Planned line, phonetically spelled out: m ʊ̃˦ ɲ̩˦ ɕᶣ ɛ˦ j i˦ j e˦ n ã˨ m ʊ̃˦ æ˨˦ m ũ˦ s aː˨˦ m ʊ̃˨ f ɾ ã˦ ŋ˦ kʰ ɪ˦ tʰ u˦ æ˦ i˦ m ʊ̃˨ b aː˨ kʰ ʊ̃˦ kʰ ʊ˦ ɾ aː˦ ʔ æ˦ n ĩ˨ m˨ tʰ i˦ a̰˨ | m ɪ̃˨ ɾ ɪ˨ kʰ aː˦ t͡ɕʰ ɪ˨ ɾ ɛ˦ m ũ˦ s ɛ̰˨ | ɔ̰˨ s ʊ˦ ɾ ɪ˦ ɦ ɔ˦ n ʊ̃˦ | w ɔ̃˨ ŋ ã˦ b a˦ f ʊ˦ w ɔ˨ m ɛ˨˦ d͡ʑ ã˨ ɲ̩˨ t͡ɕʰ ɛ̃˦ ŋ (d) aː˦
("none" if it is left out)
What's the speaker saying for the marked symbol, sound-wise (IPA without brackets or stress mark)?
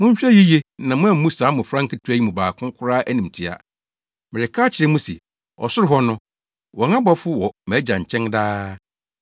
d